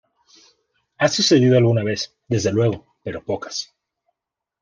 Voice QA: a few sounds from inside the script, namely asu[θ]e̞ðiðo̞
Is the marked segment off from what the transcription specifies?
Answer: yes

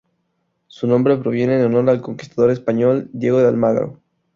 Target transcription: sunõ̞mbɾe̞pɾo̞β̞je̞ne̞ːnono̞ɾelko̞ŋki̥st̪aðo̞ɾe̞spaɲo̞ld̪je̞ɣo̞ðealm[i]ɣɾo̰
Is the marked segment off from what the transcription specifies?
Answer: yes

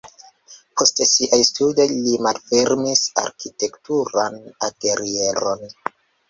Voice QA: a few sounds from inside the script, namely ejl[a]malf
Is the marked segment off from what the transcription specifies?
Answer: yes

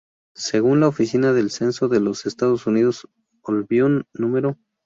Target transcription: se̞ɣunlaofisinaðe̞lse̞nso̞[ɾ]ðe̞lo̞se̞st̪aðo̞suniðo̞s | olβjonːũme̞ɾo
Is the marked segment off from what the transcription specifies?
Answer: yes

